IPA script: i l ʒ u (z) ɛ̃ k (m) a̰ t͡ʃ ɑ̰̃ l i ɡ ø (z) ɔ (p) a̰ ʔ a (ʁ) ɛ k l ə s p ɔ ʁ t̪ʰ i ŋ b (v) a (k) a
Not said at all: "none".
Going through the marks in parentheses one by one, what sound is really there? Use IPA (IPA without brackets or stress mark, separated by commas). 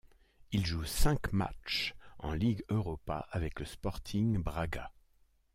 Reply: s, m, ʁ, p, v, ʁ, ɡ